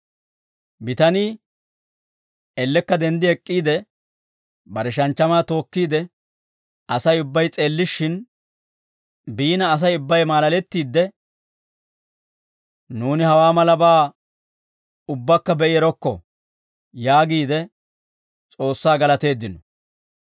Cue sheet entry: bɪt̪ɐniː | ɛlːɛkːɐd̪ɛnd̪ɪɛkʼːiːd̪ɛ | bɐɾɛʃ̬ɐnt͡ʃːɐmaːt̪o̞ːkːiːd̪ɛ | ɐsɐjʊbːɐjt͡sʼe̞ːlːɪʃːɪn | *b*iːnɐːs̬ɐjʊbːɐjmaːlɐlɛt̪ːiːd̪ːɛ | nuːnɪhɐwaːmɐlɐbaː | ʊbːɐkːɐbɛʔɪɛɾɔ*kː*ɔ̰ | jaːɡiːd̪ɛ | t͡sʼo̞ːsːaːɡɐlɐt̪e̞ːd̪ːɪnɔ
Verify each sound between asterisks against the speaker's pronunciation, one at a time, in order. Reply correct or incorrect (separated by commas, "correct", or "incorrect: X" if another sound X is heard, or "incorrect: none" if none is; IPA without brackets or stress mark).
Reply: correct, correct